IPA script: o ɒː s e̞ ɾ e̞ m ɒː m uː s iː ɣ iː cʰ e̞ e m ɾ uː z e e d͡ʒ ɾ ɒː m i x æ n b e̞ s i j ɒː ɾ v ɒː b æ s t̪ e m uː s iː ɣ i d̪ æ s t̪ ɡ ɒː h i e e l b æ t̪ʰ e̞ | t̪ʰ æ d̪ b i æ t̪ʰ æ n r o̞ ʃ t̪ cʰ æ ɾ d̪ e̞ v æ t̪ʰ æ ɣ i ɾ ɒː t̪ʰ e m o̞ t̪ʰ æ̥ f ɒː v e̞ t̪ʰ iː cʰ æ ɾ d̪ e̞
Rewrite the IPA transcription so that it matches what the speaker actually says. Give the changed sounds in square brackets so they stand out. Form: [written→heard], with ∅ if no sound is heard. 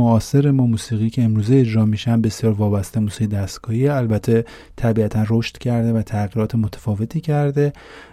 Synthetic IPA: o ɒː s e̞ ɾ e̞ m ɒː m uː s iː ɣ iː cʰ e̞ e m ɾ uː z e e d͡ʒ ɾ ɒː m i [x→ʃ] æ n b e̞ s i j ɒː ɾ v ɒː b æ s t̪ e m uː s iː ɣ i d̪ æ s t̪ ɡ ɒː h i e [e→æ] l b æ t̪ʰ e̞ | t̪ʰ æ [d̪→∅] b i æ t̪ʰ æ n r o̞ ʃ t̪ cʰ æ ɾ d̪ e̞ v æ t̪ʰ æ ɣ i ɾ ɒː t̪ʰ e m o̞ t̪ʰ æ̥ f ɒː v e̞ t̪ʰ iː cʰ æ ɾ d̪ e̞